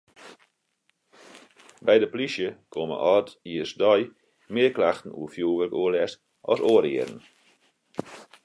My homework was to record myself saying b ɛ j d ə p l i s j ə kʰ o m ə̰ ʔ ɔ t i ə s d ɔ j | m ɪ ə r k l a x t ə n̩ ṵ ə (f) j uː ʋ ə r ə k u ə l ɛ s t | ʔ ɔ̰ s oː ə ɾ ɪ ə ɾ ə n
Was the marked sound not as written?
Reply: no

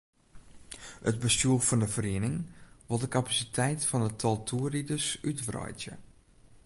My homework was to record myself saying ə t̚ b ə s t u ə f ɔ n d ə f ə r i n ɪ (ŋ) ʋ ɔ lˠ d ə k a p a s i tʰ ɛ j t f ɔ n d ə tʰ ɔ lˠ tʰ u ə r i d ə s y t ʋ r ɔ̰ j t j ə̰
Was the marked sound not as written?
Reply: no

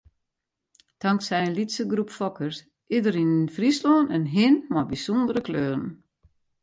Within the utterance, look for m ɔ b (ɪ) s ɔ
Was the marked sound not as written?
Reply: yes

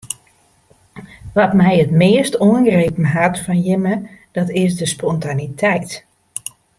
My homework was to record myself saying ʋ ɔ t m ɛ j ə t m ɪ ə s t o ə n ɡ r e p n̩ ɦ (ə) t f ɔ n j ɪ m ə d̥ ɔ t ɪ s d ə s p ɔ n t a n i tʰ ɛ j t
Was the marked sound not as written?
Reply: yes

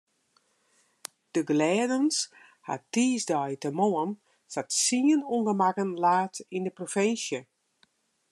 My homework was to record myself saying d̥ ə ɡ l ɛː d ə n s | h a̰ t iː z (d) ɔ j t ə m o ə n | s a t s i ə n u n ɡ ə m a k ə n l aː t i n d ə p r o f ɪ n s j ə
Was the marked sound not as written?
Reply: no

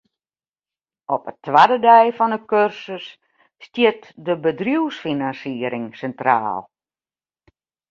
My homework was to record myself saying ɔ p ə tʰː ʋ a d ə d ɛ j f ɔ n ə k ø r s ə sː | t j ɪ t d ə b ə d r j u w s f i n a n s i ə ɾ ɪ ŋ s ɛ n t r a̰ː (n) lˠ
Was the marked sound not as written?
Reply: yes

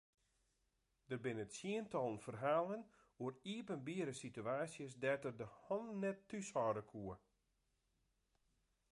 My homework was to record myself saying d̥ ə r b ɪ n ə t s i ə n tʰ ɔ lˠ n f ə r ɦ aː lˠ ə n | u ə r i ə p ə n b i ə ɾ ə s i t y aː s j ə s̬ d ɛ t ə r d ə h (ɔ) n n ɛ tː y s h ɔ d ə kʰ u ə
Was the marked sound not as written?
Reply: no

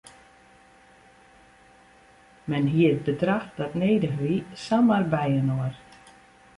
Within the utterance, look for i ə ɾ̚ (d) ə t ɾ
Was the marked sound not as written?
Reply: yes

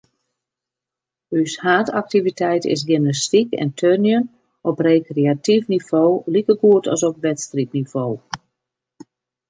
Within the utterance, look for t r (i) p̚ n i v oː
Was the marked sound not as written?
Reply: no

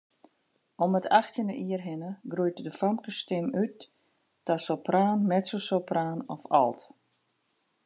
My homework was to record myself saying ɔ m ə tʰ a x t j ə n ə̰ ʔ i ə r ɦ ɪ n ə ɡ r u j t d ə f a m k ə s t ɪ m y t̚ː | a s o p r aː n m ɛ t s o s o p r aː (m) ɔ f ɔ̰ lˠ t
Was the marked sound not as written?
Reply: yes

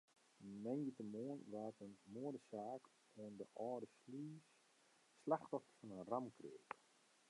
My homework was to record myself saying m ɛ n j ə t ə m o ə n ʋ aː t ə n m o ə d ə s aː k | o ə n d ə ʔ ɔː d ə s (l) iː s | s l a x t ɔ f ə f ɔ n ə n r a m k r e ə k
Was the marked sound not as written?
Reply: no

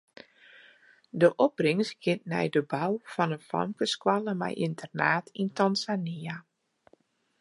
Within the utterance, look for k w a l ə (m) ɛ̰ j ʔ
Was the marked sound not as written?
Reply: no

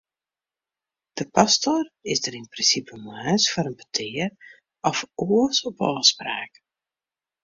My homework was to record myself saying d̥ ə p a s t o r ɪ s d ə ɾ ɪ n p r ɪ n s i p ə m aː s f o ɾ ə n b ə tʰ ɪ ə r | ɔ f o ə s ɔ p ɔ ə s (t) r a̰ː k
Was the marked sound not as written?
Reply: yes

